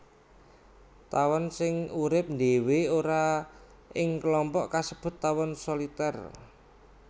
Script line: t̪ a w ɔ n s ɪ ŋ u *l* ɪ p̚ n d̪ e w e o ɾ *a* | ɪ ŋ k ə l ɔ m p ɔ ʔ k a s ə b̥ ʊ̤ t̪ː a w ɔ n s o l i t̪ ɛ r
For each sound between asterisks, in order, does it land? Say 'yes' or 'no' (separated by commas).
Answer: no, yes